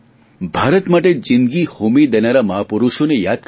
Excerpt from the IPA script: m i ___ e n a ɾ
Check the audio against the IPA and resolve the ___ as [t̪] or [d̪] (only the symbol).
d̪